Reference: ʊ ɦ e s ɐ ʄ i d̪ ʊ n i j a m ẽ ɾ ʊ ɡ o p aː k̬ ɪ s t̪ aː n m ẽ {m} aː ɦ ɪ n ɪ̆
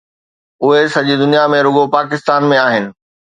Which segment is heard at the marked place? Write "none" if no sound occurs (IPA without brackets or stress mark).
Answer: none